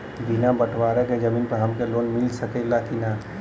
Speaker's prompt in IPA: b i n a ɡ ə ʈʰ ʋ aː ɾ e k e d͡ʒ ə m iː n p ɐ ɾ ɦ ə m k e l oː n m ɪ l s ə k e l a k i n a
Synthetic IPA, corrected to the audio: b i n a b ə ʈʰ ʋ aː ɾ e k e d͡ʒ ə m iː n p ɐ ɾ ɦ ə m k e l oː n m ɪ l s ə k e l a k i n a